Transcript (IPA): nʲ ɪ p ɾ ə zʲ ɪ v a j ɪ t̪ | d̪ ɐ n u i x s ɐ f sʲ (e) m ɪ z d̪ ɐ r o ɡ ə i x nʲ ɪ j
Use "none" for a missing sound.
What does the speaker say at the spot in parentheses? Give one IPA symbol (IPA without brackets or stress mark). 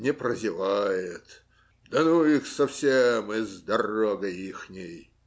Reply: e